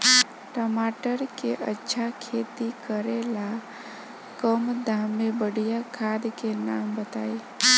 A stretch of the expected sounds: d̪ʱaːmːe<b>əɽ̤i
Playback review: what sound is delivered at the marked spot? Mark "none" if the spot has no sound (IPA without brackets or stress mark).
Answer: b